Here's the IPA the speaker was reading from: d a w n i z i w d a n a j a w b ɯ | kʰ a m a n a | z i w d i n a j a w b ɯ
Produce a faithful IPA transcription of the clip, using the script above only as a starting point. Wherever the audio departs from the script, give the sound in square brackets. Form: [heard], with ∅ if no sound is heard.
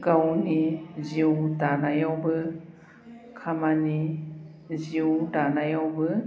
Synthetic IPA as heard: [ɡ] a w n i z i w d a n a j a w b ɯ | kʰ a m a n [i] | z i w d [a] n a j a w b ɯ